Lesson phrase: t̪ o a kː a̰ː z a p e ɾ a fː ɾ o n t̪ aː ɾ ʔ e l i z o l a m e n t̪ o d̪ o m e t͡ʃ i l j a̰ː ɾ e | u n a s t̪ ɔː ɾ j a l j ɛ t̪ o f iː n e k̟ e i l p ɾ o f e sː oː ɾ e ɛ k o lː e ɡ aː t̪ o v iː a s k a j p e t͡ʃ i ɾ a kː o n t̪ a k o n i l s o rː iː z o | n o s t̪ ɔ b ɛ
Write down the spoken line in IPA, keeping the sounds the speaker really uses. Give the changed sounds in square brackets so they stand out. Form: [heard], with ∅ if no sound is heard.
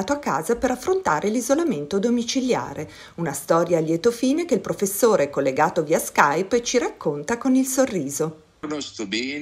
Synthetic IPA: t̪ o a kː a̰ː z a p e ɾ a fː ɾ o n t̪ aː ɾ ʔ e l i z o l a m e n t̪ o d̪ o m [i] t͡ʃ i l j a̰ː ɾ e | u n a s t̪ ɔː ɾ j a l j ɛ t̪ o f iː n e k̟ e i l p ɾ o f e sː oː ɾ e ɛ k o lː e ɡ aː t̪ o v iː a s k a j p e t͡ʃ i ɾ a kː o n t̪ a k o n i l s o rː iː z o | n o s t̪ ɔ b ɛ